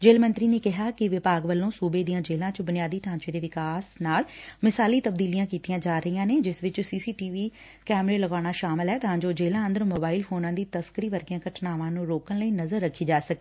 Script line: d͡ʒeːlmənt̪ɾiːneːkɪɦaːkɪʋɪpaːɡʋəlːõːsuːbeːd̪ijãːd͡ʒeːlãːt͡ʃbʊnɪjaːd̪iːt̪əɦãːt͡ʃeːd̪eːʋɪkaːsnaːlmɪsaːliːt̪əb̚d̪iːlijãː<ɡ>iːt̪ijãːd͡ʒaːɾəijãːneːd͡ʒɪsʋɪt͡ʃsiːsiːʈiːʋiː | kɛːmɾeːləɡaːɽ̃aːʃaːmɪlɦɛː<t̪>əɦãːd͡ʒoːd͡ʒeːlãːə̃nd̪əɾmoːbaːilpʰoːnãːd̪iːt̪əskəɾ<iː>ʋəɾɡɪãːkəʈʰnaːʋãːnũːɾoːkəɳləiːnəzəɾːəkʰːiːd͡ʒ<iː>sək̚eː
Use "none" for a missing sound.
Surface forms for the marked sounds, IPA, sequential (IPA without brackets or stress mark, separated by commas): k, t̪, iː, aː